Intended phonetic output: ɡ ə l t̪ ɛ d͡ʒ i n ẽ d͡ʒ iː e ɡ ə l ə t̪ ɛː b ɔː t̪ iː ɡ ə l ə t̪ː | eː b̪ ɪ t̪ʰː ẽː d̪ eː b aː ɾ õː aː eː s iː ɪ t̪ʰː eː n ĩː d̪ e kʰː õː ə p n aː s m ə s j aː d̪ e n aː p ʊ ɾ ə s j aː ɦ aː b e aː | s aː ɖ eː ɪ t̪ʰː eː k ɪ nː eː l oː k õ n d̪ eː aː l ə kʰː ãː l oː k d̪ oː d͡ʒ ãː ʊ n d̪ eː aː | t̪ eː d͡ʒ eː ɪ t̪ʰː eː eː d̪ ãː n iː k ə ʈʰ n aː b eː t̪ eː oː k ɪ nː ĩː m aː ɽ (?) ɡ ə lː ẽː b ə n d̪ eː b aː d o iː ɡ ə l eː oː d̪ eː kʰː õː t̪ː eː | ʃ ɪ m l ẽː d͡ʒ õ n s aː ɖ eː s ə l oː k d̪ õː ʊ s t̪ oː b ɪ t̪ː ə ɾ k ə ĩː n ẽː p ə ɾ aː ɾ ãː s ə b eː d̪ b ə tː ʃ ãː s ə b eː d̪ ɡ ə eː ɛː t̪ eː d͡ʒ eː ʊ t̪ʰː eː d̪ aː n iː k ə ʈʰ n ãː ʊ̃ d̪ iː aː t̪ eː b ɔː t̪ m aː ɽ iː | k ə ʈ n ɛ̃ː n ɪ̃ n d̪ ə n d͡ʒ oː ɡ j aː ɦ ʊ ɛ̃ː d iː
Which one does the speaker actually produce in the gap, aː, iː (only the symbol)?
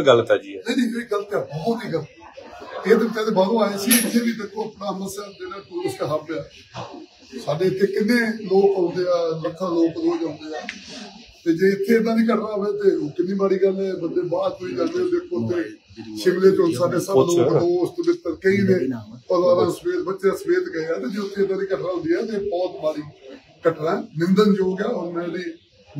iː